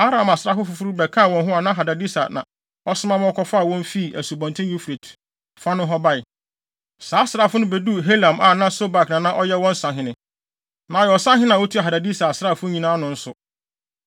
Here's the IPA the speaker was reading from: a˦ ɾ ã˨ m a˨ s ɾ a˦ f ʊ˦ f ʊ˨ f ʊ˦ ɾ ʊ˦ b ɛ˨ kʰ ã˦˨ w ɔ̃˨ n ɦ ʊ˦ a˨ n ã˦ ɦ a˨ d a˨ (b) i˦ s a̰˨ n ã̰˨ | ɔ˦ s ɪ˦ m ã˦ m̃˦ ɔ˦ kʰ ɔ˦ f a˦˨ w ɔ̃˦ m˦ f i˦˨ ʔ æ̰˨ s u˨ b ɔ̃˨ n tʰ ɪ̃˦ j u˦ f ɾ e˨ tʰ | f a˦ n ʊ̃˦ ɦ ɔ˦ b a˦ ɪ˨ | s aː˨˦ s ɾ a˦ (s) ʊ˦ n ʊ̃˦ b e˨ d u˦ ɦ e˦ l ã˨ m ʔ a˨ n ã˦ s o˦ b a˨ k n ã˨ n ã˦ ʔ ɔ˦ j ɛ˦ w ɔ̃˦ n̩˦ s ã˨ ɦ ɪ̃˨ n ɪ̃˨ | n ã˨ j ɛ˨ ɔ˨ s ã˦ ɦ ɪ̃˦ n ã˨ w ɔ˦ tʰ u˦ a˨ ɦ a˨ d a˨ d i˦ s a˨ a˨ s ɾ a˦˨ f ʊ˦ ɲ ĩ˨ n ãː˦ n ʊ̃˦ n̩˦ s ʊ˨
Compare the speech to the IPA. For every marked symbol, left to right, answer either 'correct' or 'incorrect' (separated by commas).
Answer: incorrect, incorrect